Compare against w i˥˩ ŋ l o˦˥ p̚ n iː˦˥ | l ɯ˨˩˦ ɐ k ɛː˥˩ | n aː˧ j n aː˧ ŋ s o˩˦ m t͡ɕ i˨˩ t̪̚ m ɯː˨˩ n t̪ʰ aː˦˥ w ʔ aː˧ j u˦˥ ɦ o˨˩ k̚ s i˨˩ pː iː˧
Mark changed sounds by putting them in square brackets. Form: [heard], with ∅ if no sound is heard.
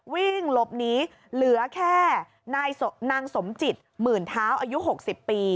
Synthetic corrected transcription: w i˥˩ ŋ l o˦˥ p̚ n iː˦˥ | l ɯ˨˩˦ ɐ [kʰ] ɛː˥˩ | n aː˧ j n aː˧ ŋ s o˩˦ m t͡ɕ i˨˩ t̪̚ m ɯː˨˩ n t̪ʰ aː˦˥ w ʔ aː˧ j u˦˥ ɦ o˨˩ k̚ s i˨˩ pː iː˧